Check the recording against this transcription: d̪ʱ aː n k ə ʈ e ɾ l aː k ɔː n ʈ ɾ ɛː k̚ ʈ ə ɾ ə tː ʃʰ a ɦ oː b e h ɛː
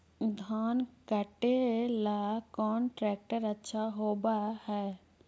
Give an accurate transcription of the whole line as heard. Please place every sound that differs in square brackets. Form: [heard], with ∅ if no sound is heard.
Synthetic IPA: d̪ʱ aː n k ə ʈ e [∅] l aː k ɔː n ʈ ɾ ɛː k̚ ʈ ə ɾ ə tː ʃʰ a ɦ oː b [a] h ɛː